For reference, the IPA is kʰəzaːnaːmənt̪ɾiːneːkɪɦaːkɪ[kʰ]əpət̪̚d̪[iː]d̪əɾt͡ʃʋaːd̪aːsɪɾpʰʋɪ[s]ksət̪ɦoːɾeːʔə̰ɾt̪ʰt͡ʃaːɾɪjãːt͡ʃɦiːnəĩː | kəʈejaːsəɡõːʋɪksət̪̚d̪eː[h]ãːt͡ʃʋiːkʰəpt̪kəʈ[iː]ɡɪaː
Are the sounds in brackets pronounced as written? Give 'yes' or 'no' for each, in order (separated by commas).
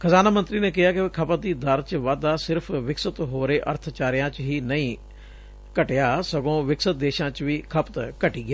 yes, yes, no, no, yes